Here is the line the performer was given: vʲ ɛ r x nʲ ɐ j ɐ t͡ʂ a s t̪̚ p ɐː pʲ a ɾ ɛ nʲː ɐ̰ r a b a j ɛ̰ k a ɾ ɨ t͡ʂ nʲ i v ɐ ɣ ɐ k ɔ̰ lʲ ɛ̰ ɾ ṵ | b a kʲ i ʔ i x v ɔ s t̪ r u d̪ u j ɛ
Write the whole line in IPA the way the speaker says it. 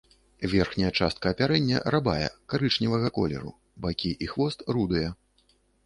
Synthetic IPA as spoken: vʲ ɛ r x nʲ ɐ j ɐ t͡ʂ a s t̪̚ k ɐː pʲ a ɾ ɛ nʲː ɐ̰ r a b a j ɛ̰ k a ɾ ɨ t͡ʂ nʲ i v ɐ ɣ ɐ k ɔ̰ lʲ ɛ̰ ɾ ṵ | b a kʲ i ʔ i x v ɔ s t̪ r u d̪ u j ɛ